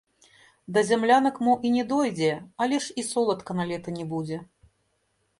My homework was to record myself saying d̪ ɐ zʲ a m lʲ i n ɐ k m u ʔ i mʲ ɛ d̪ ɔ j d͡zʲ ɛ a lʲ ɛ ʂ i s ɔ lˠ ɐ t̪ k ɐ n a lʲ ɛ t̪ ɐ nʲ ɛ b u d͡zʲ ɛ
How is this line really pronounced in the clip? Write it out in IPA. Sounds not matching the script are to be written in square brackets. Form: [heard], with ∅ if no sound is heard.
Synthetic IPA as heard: d̪ ɐ zʲ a m lʲ [a] n ɐ k m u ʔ i [nʲ] ɛ d̪ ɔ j d͡zʲ ɛ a lʲ ɛ ʂ i s ɔ lˠ ɐ t̪ k ɐ n a lʲ ɛ t̪ ɐ nʲ ɛ b u d͡zʲ ɛ